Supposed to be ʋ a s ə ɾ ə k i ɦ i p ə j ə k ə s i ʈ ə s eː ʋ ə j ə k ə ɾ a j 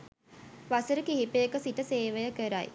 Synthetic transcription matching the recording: ʋ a s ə ɾ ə k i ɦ i p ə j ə k ə s i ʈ ə s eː ʋ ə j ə k ə ɾ a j